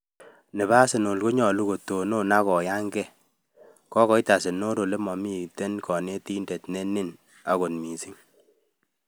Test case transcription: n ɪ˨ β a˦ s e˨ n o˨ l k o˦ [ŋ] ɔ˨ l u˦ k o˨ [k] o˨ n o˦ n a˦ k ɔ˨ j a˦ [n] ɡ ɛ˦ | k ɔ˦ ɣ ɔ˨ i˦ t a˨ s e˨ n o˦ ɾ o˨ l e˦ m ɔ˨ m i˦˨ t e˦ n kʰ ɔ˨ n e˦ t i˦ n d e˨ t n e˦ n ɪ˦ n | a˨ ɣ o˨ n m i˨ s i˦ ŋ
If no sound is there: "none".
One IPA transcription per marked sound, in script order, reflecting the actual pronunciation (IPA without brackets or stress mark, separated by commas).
ɲ, t, ŋ